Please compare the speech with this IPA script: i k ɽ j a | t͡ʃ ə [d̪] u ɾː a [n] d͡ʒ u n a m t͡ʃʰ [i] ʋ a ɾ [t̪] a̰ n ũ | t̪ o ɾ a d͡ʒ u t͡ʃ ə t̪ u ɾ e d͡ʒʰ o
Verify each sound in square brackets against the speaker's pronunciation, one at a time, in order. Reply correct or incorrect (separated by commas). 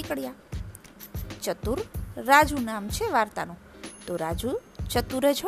incorrect, incorrect, incorrect, correct